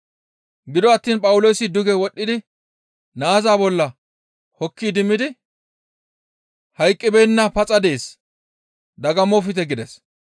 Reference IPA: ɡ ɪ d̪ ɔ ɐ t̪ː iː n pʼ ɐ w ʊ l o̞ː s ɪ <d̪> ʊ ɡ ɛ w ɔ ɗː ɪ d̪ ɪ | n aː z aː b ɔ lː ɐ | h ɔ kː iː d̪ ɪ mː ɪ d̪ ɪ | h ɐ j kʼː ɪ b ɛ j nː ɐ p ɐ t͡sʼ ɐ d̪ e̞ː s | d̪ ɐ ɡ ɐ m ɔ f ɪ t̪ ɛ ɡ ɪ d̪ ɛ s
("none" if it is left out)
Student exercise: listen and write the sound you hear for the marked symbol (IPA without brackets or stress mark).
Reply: d̪